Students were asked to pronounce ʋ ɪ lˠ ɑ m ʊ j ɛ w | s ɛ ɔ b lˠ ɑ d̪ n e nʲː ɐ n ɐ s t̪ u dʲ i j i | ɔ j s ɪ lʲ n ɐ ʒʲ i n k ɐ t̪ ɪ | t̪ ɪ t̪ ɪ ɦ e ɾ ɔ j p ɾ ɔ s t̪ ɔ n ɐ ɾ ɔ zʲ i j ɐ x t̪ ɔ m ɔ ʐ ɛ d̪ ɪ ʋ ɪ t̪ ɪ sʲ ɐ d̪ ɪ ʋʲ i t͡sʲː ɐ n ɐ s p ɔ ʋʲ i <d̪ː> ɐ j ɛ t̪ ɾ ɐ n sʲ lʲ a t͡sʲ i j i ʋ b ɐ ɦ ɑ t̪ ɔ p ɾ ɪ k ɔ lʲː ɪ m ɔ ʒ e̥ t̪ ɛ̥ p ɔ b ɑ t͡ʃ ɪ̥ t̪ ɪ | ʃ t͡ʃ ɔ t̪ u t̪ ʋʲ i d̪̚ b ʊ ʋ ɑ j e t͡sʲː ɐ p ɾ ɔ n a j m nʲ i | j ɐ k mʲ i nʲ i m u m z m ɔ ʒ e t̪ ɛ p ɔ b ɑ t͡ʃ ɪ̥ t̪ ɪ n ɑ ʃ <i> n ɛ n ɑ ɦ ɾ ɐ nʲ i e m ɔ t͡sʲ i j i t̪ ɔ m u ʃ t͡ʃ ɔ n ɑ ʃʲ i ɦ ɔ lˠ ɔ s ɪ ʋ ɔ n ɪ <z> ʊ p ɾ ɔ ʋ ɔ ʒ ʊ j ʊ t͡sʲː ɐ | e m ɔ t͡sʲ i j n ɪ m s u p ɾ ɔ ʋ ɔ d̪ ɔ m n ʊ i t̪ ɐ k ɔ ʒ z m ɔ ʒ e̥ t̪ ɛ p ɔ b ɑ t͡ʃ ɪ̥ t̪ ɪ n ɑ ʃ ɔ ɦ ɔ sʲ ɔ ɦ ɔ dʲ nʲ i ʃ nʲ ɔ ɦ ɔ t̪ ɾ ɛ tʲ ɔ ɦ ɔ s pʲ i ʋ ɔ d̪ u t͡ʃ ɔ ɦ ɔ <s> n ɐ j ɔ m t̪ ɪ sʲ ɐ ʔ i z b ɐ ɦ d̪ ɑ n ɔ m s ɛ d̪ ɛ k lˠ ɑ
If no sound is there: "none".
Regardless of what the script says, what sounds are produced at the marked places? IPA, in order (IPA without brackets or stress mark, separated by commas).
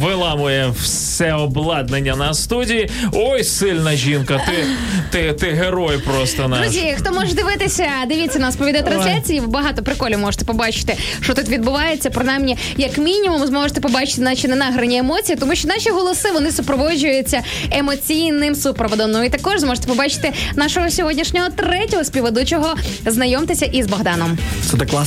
d̪, i, s, z